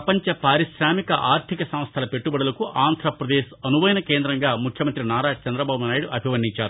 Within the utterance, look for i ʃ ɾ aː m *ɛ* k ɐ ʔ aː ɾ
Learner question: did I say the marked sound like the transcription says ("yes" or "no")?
no